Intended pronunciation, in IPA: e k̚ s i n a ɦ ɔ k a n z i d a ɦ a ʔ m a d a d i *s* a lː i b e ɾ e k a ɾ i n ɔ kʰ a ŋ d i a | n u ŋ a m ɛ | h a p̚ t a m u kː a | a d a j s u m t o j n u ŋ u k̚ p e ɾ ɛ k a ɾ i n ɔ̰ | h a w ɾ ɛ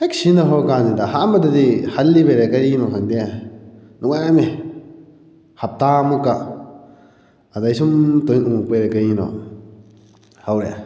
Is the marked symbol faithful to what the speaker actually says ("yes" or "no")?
no